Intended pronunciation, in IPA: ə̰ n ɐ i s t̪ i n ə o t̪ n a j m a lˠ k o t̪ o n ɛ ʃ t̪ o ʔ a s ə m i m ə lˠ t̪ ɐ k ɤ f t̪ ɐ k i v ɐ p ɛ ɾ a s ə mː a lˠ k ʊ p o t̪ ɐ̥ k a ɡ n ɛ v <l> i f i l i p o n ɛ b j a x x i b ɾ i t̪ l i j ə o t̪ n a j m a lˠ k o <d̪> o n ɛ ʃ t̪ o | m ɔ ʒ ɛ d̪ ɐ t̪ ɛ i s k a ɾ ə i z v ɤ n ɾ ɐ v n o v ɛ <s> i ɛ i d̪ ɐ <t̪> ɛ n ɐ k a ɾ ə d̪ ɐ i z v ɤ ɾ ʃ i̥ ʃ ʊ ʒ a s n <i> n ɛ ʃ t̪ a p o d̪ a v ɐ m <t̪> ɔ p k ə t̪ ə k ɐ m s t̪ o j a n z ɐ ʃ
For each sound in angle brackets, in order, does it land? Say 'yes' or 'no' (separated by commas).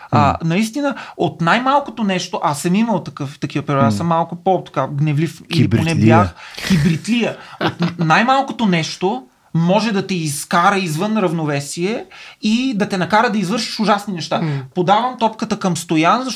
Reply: yes, no, yes, yes, yes, yes